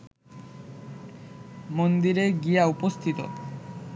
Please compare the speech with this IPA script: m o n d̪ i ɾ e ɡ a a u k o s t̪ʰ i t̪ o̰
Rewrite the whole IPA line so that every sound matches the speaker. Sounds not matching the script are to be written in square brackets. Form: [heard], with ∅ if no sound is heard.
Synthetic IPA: m o n d̪ i ɾ e ɡ [i] a u [p] o s t̪ʰ i t̪ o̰